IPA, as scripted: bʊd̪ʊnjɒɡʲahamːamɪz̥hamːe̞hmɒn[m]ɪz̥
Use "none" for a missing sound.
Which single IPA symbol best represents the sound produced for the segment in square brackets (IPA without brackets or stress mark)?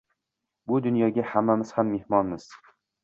m